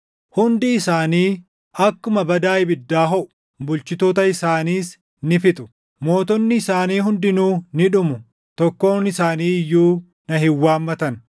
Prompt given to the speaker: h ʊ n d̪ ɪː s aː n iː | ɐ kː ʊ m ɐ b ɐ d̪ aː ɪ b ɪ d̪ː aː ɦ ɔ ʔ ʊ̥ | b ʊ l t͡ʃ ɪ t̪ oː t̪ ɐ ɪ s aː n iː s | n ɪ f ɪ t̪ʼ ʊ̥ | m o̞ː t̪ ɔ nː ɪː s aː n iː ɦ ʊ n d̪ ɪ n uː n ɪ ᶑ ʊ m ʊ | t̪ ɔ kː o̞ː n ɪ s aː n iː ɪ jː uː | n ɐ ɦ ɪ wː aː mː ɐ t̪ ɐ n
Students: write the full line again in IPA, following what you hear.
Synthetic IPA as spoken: h ʊ n d̪ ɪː s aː n iː | ɐ kː ʊ m ɐ b ɐ d̪ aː ɪ b ɪ d̪ː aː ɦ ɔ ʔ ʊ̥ | b ʊ l t͡ʃ ɪ t̪ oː t̪ ɐ ɪ s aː n iː s | n ɪ f ɪ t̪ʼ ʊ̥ | m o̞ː t̪ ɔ nː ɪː s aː n iː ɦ ʊ n d̪ ɪ n uː n ɪ ᶑ ʊ m ʊ | t̪ ɔ kː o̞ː n ɪ s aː n iː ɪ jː uː | n ɐ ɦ ɪ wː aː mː ɐ t̪ ɐ n